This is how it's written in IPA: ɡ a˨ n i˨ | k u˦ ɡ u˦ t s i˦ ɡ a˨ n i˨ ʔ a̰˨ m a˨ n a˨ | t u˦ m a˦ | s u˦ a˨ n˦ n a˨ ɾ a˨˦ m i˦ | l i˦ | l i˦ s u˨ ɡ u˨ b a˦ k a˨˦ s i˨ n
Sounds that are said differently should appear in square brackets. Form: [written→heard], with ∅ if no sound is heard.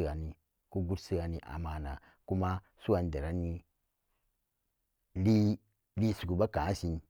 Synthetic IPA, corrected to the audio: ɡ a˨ n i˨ | k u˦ ɡ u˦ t s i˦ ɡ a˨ n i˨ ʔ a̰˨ m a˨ n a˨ | [t→k] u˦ m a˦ | s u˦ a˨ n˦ [n→d] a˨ ɾ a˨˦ [m→n] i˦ | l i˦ | l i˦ s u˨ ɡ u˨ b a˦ k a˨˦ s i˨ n